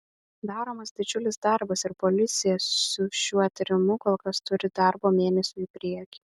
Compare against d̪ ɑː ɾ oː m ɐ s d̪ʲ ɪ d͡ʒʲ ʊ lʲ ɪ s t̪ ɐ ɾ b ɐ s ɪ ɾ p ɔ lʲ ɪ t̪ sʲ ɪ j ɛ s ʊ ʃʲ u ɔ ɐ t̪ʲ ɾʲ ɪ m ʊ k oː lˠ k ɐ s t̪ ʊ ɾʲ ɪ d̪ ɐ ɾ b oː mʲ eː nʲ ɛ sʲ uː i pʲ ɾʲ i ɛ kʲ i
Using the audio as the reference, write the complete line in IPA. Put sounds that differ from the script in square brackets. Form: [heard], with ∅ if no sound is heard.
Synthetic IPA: d̪ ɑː ɾ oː m ɐ s d̪ʲ ɪ d͡ʒʲ ʊ lʲ ɪ s [d̪] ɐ ɾ b ɐ s ɪ ɾ p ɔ lʲ ɪ t̪ sʲ ɪ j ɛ s ʊ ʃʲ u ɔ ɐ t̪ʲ ɾʲ ɪ m ʊ k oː lˠ k ɐ s t̪ ʊ ɾʲ ɪ d̪ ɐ ɾ b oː mʲ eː nʲ ɛ sʲ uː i pʲ ɾʲ i ɛ kʲ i